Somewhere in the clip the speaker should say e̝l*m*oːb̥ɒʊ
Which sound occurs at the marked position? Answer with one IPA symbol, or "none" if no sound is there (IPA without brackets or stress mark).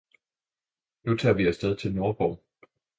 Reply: n